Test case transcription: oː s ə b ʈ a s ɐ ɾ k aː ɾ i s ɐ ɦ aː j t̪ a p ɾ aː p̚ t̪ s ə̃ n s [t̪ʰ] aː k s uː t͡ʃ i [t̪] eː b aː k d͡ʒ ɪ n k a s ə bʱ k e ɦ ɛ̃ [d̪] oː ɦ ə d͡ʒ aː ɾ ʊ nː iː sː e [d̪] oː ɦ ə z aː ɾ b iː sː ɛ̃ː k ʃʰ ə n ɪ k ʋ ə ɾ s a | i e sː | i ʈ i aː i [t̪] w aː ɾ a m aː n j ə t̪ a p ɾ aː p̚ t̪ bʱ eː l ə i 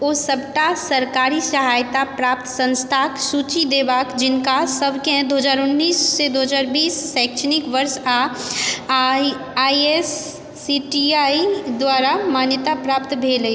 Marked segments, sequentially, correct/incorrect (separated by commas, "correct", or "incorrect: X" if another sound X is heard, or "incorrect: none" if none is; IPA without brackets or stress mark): correct, incorrect: d̪, correct, correct, incorrect: d̪